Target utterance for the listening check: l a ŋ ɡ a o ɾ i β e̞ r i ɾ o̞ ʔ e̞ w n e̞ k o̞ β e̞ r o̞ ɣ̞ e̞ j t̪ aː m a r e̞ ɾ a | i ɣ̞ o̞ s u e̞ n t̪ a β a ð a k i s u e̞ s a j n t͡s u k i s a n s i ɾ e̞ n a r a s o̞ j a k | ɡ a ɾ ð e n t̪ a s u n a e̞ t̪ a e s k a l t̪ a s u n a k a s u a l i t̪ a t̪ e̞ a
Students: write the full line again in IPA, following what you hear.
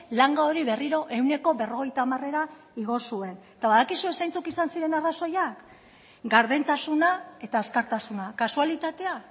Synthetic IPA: l a ŋ ɡ a o ɾ i β e̞ r i ɾ o̞ ʔ e̞ w n e̞ k o̞ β e̞ r o̞ ɣ̞ e̞ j t̪ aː m a r e̞ ɾ a | i ɣ̞ o̞ s u e̞ n t̪ a β a ð a k i s u e̞ s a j n t͡s u k i s a n s i ɾ e̞ n a r a s o̞ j a k | ɡ a ɾ ð e n t̪ a s u n a e̞ t̪ a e s k a ɾ t̪ a s u n a k a s u a l i t̪ a t̪ e̞ a